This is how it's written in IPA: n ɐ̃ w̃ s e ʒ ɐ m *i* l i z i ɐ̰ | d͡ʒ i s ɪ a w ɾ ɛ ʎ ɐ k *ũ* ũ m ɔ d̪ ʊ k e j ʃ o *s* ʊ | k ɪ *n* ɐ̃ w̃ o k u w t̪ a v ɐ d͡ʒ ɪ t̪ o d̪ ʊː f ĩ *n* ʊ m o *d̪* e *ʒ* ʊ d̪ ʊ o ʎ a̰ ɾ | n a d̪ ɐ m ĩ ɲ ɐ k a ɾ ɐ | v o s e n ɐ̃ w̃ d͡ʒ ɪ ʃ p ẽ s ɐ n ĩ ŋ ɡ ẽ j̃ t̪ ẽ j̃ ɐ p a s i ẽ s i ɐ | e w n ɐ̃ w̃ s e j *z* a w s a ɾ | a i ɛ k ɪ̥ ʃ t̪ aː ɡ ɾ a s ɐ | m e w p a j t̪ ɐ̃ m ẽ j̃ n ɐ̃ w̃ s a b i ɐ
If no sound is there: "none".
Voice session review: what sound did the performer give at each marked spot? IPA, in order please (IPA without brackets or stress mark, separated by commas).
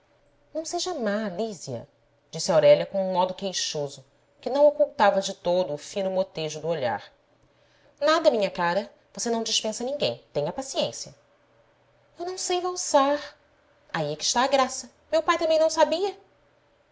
a, õ, z, n, n, t̪, ʒ, v